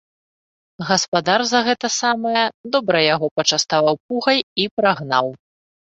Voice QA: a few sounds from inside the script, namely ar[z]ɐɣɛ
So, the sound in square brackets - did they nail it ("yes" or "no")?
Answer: yes